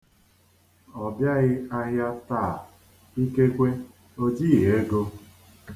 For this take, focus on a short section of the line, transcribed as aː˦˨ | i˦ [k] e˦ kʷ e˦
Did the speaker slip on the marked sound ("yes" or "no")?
no